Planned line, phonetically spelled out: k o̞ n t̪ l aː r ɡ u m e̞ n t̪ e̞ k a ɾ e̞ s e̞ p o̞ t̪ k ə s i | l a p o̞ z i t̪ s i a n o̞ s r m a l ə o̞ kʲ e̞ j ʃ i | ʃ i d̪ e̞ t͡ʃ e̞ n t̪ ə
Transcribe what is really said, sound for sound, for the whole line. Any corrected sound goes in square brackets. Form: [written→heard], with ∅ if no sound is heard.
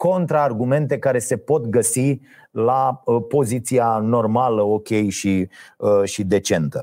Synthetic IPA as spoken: k o̞ n t̪ [l→ɾ] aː r ɡ u m e̞ n t̪ e̞ k a ɾ e̞ s e̞ p o̞ t̪ [k→ɡ] ə s i | l a p o̞ z i t̪ s i a n o̞ [s→∅] r m a l ə o̞ kʲ e̞ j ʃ i | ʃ i d̪ e̞ t͡ʃ e̞ n t̪ ə